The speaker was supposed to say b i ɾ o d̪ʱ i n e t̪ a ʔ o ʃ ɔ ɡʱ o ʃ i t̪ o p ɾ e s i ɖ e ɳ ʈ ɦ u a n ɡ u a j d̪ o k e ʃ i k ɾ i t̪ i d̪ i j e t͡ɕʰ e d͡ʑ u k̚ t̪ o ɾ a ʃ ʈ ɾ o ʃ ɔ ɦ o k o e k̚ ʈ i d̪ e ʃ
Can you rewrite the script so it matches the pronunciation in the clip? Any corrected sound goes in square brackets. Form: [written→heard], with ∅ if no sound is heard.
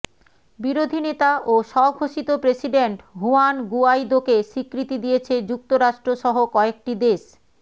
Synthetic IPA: b i ɾ o d̪ʱ i n e t̪ a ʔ o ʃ ɔ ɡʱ o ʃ i t̪ o p ɾ e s i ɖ e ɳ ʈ ɦ u a n ɡ u a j d̪ o k e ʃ i k ɾ i t̪ i d̪ i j e t͡ɕʰ e d͡ʑ u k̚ t̪ o ɾ a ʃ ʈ ɾ o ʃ ɔ ɦ o k [o→ɔ] e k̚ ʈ i d̪ e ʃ

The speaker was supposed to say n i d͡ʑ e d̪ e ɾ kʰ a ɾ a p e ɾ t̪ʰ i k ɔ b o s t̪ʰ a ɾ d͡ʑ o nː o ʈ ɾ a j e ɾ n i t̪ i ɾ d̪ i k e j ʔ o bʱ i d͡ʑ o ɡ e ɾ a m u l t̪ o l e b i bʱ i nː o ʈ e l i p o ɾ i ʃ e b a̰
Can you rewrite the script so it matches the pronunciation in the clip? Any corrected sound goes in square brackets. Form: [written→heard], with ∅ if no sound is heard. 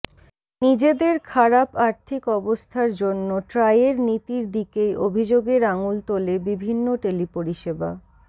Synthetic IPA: n i d͡ʑ e d̪ e ɾ kʰ a ɾ a p [e→a] ɾ t̪ʰ i k ɔ b o s t̪ʰ a ɾ d͡ʑ o nː o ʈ ɾ a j e ɾ n i t̪ i ɾ d̪ i k e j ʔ o bʱ i d͡ʑ o ɡ e ɾ a [m→ŋ] u l t̪ o l e b i bʱ i nː o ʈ e l i p o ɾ i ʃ e b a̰

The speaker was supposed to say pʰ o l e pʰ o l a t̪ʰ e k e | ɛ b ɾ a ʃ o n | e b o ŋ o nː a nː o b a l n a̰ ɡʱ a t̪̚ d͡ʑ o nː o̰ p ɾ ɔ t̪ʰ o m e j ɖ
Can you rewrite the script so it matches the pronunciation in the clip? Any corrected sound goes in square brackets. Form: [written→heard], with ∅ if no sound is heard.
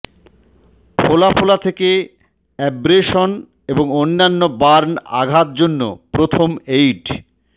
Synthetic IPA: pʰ o l [e→a] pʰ o l a t̪ʰ e k e | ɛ b ɾ [a→e] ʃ o n | e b o ŋ o nː a nː o b a [l→ɾ] n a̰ ɡʱ a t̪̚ d͡ʑ o nː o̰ p ɾ [ɔ→o] t̪ʰ o m e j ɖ

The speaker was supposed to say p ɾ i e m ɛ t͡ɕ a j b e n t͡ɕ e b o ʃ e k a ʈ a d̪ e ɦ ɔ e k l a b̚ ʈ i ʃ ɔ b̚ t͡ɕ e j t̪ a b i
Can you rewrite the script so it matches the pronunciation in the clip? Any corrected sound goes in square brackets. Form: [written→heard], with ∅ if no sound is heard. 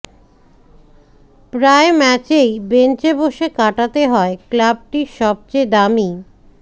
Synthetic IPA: p ɾ [i→a] e m ɛ t͡ɕ [a→e] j b e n t͡ɕ e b o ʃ e k a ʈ a [d̪→t̪] e ɦ ɔ e k l a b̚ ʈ i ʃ ɔ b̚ t͡ɕ e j [t̪→d̪] a [b→m] i

